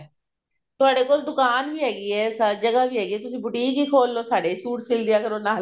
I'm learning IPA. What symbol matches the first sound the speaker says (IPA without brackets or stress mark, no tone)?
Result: t̪